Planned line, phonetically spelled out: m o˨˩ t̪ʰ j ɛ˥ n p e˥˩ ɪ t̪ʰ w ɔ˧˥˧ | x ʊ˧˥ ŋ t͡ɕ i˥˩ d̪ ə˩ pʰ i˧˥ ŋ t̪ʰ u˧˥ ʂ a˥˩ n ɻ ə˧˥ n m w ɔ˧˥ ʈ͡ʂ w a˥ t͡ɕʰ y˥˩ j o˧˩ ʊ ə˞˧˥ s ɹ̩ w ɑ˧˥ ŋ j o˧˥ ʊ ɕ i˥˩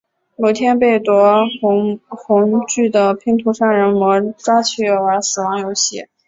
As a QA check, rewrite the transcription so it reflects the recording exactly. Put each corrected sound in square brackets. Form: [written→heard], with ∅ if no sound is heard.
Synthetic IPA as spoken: m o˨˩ t̪ʰ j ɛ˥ n p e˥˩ ɪ [t̪ʰ→t̪] w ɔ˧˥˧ | x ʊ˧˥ ŋ t͡ɕ [i˥˩→y˥˩] d̪ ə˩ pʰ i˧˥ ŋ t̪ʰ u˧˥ ʂ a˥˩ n ɻ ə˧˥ n m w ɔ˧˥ ʈ͡ʂ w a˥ t͡ɕʰ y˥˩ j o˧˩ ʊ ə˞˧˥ s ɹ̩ w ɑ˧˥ ŋ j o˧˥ ʊ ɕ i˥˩

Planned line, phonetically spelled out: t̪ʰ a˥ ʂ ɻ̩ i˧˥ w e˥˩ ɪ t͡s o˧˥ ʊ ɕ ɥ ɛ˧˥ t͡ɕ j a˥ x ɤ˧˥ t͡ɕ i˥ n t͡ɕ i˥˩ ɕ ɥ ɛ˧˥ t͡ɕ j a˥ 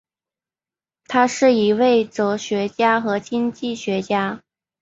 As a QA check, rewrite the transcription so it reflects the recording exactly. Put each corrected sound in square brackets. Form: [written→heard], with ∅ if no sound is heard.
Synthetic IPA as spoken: t̪ʰ a˥ ʂ ɻ̩ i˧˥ w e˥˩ ɪ t͡s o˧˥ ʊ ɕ ɥ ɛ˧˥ t͡ɕ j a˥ x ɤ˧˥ t͡ɕ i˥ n t͡ɕ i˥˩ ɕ ɥ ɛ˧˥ t͡ɕ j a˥

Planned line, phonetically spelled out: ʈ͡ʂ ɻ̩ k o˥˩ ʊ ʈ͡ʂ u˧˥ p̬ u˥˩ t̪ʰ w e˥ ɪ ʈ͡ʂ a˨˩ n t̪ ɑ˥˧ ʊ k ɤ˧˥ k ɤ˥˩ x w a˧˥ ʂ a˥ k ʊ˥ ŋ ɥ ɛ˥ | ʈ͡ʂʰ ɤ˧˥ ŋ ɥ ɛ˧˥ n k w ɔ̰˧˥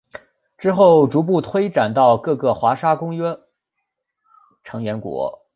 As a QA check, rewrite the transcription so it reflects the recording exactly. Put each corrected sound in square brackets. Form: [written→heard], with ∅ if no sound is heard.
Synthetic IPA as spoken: ʈ͡ʂ ɻ̩ [k→x] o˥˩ ʊ ʈ͡ʂ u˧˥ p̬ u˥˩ t̪ʰ w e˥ ɪ ʈ͡ʂ a˨˩ n t̪ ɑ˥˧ ʊ k [ɤ˧˥→ɤ˥˧] k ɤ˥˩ x w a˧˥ ʂ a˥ k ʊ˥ ŋ ɥ ɛ˥ | ʈ͡ʂʰ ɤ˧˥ ŋ ɥ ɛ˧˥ n k w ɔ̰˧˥

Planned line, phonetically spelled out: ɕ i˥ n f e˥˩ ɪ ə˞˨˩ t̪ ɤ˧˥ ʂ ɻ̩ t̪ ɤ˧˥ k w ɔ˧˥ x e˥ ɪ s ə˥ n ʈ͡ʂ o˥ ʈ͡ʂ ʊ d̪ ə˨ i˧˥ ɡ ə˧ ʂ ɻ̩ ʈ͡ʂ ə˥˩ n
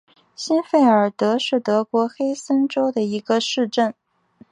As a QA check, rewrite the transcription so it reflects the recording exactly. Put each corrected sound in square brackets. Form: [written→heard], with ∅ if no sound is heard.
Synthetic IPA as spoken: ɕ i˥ n f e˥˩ ɪ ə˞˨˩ t̪ ɤ˧˥ ʂ ɻ̩ t̪ ɤ˧˥ k w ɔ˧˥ x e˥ ɪ s ə˥ n ʈ͡ʂ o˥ [ʈ͡ʂ→∅] ʊ d̪ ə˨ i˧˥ ɡ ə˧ ʂ ɻ̩ ʈ͡ʂ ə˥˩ n

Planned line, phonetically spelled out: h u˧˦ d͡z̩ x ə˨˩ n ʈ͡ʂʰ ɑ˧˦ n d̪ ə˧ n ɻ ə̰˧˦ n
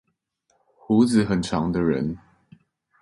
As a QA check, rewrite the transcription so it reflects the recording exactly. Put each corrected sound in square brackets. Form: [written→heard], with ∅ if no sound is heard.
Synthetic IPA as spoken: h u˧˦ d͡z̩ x ə˨˩ n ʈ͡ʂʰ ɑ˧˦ [n→ŋ] d̪ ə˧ [n→∅] ɻ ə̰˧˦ n

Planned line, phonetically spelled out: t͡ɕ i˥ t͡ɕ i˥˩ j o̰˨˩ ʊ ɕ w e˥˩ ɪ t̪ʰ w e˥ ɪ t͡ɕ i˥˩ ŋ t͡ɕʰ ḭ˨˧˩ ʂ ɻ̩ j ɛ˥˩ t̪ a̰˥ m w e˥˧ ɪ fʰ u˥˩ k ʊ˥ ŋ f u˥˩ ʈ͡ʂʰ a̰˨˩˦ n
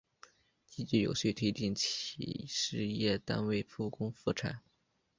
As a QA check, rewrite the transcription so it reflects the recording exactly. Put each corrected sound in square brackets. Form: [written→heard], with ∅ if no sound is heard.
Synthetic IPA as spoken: t͡ɕ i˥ t͡ɕ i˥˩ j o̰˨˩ ʊ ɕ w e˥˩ ɪ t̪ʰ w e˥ ɪ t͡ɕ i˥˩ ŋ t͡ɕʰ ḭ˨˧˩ ʂ ɻ̩ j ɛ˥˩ t̪ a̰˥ [m→n] w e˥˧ ɪ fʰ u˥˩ k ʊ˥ ŋ f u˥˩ ʈ͡ʂʰ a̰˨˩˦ n

